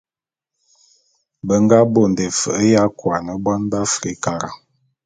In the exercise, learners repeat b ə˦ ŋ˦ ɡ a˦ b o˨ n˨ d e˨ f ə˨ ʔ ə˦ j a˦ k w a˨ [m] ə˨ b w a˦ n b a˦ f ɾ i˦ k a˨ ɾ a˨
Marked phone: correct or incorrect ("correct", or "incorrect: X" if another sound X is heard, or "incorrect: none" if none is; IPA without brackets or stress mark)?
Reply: incorrect: n